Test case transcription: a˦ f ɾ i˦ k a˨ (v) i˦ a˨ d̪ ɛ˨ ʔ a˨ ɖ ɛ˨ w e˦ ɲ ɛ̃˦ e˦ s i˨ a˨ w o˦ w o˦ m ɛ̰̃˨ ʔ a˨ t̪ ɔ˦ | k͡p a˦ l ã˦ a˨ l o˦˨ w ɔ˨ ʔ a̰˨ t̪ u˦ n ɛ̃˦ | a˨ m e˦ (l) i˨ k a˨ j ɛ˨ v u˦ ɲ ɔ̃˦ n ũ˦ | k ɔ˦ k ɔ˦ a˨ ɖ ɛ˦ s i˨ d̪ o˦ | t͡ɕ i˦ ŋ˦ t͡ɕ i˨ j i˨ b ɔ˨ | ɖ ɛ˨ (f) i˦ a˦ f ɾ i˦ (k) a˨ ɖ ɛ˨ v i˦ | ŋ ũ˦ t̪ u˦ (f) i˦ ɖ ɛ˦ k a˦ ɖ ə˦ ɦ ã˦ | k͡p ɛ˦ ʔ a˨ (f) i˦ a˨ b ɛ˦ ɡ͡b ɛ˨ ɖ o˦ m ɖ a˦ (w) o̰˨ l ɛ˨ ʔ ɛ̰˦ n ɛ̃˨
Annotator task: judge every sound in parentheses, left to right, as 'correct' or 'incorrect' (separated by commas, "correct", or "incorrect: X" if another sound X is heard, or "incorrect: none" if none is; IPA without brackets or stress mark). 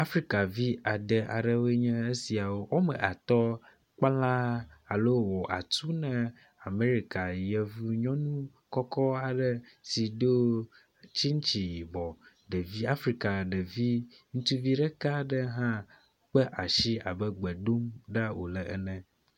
correct, incorrect: ɾ, incorrect: v, correct, incorrect: v, incorrect: ʃ, correct